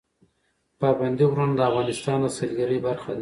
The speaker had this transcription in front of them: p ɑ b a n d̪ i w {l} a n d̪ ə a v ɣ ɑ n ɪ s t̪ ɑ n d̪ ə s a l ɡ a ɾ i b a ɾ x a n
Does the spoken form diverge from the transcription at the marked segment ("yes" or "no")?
yes